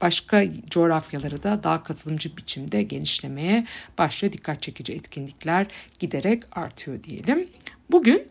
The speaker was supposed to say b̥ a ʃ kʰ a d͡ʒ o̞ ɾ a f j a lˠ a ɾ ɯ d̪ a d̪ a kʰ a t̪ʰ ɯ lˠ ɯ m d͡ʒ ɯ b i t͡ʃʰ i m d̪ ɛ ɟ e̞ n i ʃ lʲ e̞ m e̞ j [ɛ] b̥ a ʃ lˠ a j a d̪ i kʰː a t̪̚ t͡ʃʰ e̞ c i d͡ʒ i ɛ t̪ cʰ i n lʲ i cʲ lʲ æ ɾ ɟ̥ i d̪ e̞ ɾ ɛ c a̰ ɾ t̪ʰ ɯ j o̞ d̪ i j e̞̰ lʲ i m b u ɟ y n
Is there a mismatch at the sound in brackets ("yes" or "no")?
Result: no